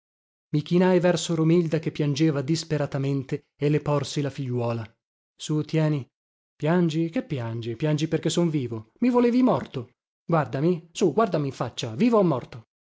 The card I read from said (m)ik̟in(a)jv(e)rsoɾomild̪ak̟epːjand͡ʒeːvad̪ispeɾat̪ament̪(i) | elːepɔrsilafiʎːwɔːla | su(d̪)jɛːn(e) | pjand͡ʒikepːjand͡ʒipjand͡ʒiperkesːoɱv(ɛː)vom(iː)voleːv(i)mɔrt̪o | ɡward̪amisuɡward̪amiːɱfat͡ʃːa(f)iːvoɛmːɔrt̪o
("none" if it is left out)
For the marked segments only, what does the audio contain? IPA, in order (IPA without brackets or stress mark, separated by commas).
m, a, ɛ, e, t̪, i, iː, i, i, v